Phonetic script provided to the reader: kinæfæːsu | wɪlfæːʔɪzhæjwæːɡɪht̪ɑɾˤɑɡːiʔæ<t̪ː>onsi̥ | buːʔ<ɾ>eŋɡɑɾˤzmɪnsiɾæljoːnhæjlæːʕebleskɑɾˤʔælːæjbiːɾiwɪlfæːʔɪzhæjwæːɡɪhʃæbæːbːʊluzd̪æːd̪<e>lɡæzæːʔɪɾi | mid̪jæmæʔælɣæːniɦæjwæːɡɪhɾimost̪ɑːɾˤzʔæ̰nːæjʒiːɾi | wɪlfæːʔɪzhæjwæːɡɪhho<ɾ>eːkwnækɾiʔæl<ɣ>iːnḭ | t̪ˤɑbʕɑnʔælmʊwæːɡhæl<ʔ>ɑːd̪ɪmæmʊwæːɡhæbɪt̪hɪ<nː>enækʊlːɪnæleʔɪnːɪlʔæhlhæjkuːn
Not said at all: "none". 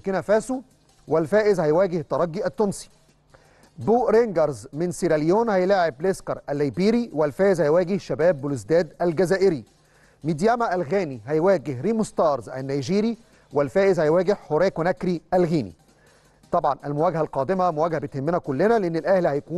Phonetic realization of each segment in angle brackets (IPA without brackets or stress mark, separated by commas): t̪ː, ɾ, æ, ɾ, ɣ, q, mː